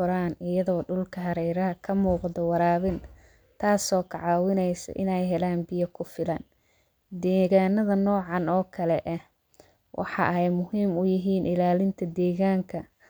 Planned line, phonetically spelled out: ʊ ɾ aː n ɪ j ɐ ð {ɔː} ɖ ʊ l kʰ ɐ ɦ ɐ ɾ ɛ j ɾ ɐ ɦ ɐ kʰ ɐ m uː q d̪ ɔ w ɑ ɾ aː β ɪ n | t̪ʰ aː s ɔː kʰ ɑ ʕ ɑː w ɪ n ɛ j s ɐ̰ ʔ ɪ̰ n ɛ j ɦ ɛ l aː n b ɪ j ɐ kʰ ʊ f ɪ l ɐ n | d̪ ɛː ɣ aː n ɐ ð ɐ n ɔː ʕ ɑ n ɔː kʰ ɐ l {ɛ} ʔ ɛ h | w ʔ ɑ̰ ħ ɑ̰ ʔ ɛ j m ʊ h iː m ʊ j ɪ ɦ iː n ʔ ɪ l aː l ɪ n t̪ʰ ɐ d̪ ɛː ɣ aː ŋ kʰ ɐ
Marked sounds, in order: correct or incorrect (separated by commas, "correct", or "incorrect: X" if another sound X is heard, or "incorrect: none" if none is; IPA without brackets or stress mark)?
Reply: correct, correct